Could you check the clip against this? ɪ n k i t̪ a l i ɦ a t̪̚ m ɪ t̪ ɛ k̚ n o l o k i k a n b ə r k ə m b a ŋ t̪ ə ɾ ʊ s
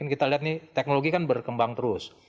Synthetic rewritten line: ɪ n k i t̪ a l i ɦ a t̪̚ n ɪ t̪ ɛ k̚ n o l o ɡ i k a n b ə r k ə m b a ŋ t̪ ə ɾ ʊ s